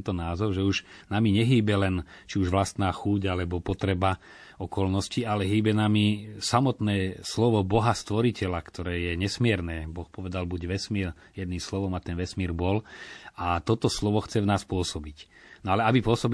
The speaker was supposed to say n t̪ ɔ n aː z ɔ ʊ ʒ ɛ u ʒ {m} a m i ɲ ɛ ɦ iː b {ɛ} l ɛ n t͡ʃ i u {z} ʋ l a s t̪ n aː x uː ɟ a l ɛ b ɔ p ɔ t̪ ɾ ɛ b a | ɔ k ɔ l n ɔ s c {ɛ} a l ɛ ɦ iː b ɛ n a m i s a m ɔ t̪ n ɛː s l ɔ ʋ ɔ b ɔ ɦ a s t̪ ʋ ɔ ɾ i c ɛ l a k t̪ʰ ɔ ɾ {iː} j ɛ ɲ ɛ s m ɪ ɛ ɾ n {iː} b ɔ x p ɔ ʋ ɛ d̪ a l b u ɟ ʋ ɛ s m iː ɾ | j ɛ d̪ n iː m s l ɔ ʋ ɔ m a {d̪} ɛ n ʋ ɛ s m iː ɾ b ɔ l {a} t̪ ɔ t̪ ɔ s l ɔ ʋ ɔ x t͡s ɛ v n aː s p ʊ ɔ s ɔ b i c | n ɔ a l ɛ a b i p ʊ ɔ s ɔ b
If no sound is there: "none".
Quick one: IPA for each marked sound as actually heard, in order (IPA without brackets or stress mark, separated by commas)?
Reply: n, ɛ, ʒ, i, ɛː, ɛː, t̪, a